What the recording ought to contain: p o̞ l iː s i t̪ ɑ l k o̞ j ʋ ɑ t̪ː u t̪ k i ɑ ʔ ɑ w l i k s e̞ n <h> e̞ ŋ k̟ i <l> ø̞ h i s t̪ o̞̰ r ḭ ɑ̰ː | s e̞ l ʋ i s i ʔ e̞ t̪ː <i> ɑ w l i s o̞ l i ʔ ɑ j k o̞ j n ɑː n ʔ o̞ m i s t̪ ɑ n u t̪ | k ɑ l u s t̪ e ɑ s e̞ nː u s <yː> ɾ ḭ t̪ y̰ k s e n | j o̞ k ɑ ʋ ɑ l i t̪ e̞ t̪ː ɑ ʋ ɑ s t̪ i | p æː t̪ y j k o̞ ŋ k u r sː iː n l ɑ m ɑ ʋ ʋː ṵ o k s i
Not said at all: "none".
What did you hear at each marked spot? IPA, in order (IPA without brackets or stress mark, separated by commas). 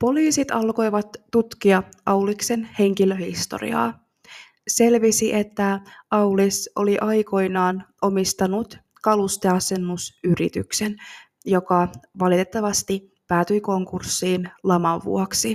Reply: h, l, æ, y